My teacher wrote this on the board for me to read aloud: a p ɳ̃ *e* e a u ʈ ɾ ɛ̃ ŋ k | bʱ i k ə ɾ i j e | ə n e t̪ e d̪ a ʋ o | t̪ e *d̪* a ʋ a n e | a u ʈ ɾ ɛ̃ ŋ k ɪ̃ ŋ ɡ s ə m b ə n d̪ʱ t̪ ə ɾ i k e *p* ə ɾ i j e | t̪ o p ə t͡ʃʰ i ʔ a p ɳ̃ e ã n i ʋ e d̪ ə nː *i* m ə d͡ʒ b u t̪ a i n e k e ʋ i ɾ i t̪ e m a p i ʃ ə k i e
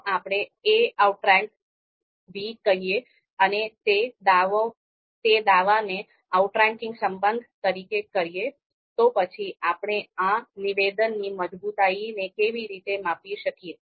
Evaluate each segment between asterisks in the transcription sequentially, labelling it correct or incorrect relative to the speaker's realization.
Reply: correct, correct, incorrect, correct

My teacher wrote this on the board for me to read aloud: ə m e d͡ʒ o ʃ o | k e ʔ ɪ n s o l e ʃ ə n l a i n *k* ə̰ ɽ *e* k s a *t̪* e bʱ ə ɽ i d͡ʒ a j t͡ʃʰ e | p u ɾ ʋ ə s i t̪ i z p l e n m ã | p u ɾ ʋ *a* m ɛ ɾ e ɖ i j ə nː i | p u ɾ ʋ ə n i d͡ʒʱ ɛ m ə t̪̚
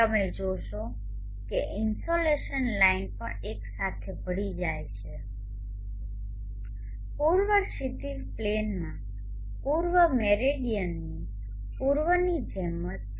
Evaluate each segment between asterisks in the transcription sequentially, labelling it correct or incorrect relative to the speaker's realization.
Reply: incorrect, correct, incorrect, incorrect

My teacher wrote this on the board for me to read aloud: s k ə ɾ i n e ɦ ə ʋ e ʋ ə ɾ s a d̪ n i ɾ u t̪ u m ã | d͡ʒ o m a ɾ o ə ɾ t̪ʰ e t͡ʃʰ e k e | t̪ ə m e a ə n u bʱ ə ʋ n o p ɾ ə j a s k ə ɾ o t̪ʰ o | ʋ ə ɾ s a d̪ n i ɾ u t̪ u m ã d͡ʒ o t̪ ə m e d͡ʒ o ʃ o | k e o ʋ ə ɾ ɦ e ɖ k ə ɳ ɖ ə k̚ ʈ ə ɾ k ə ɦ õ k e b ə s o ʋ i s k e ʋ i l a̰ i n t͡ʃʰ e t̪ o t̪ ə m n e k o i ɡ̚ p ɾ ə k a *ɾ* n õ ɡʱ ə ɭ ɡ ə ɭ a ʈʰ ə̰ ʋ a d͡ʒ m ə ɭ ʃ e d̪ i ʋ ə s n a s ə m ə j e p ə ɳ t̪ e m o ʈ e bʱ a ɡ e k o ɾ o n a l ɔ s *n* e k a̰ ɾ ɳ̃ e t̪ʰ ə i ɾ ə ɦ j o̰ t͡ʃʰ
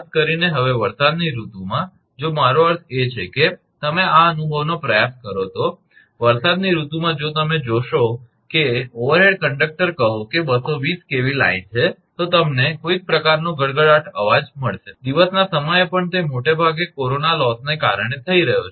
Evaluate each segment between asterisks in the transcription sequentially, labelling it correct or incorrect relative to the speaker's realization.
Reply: correct, correct

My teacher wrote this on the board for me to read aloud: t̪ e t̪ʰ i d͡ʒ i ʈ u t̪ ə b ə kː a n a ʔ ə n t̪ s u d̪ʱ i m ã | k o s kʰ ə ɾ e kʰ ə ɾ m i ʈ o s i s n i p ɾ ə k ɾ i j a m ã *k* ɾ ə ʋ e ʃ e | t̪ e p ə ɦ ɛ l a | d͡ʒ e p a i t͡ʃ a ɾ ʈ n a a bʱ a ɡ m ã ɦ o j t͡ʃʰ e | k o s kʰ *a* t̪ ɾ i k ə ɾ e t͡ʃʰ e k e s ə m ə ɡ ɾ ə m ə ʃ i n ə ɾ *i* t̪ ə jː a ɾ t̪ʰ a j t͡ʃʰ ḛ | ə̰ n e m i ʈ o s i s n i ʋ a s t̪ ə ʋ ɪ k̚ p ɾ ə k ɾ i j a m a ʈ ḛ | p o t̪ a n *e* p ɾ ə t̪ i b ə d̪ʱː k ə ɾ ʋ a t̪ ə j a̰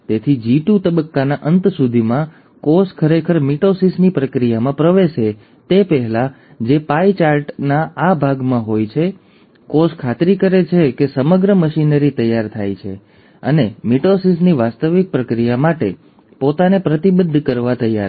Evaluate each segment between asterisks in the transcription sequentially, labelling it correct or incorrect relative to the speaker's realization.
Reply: incorrect, correct, correct, correct

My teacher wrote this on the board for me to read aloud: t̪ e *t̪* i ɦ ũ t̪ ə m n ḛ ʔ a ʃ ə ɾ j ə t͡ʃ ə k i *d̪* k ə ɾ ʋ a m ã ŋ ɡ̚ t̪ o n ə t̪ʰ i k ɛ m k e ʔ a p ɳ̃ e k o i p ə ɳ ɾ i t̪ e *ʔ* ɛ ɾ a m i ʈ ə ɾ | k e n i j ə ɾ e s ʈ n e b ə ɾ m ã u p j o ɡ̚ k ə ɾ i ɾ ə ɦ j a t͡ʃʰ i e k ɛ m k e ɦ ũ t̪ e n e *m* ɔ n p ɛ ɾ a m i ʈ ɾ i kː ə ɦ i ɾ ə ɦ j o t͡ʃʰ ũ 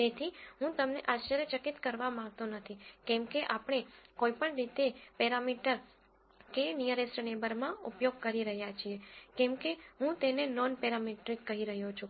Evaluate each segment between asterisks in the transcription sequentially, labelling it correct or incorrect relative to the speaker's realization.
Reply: incorrect, incorrect, incorrect, incorrect

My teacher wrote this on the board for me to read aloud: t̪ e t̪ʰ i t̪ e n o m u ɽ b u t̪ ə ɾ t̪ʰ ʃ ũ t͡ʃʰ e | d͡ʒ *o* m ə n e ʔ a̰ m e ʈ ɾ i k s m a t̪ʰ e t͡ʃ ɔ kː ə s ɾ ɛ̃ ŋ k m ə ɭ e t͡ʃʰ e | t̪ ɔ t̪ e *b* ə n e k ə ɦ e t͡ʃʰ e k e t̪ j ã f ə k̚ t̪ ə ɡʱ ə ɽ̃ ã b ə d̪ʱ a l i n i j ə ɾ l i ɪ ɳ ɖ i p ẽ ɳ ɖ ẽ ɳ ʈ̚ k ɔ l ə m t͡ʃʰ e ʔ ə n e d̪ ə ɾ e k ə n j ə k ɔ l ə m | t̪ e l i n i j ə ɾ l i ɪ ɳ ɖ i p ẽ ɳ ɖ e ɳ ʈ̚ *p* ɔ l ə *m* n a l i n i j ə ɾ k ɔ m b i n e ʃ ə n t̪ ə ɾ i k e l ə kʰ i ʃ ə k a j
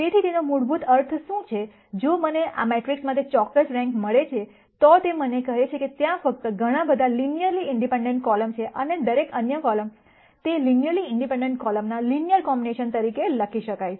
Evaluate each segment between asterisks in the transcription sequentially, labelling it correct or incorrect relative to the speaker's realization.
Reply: correct, incorrect, incorrect, correct

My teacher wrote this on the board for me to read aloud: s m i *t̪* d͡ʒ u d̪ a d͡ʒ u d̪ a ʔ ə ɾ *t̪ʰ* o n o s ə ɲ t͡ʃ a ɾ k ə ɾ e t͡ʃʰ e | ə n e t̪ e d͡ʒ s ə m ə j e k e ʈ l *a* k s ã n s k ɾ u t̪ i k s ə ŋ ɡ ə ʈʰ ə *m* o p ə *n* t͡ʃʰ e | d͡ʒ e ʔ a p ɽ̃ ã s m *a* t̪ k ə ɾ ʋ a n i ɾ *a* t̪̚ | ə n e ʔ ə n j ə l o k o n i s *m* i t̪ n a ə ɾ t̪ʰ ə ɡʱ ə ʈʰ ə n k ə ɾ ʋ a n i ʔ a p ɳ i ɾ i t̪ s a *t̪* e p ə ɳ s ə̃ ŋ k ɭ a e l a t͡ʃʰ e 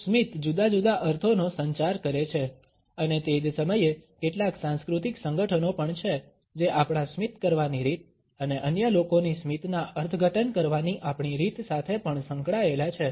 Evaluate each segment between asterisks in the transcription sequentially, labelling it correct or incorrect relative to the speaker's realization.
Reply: correct, correct, correct, incorrect, incorrect, incorrect, incorrect, correct, incorrect

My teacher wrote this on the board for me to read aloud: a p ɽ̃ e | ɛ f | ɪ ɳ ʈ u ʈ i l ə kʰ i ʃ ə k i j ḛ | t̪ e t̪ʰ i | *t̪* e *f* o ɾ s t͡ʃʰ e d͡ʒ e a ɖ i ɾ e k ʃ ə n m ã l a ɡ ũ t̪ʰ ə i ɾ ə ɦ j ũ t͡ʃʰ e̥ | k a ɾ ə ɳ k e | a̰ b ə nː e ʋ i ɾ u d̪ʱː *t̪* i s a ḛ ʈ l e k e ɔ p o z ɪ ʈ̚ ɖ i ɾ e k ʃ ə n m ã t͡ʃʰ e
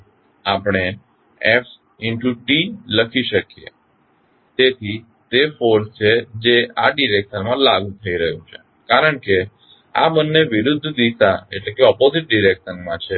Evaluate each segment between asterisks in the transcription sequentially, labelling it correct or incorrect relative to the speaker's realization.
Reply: correct, correct, incorrect

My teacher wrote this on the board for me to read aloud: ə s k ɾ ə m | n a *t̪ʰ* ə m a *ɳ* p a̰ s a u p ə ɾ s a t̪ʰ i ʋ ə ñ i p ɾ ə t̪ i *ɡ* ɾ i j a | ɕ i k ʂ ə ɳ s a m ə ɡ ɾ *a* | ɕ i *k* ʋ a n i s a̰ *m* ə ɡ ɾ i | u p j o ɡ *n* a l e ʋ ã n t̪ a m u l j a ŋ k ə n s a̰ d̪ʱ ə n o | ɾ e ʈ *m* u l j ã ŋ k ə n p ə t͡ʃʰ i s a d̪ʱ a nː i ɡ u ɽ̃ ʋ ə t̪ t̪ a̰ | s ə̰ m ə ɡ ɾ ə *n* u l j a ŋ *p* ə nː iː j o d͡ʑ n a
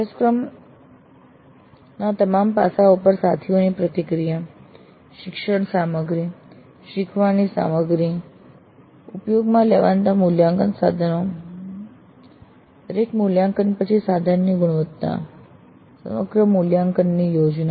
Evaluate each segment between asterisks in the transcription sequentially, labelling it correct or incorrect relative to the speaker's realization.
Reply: incorrect, incorrect, incorrect, incorrect, incorrect, correct, incorrect, correct, incorrect, incorrect

